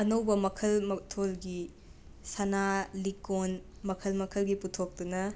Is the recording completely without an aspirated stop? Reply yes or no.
no